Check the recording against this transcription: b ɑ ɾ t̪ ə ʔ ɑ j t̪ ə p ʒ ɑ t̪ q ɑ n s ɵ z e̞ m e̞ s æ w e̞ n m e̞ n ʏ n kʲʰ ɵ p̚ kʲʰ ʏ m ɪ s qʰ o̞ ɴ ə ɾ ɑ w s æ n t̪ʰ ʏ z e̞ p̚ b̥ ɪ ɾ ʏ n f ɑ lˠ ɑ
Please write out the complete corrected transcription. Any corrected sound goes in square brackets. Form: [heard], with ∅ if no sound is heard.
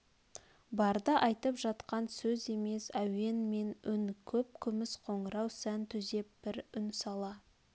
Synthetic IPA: b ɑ ɾ [d̪] ə ʔ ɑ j t̪ ə p ʒ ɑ t̪ q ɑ n s ɵ z e̞ m e̞ s æ w e̞ n m e̞ n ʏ n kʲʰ ɵ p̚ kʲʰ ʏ m ɪ s qʰ o̞ ɴ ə ɾ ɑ w s æ n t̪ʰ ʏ z e̞ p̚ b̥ ɪ ɾ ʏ n [s] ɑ lˠ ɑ